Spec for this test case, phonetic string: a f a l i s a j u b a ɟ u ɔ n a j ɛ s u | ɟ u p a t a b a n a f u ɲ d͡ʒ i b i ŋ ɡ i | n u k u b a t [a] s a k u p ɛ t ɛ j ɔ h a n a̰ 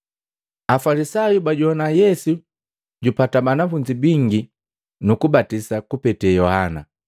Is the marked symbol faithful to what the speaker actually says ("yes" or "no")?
no